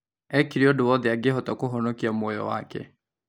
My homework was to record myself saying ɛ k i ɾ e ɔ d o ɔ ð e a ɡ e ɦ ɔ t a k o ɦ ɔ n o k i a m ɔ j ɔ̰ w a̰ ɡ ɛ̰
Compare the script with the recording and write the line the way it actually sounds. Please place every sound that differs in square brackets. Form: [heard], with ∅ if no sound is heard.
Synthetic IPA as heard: ɛ k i ɾ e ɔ d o ɔ ð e a ɡ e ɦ ɔ t a k o ɦ ɔ n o k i a m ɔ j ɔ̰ w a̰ [k] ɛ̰